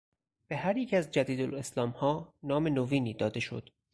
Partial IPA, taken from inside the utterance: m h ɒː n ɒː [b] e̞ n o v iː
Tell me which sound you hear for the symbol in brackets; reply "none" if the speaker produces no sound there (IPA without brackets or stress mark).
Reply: m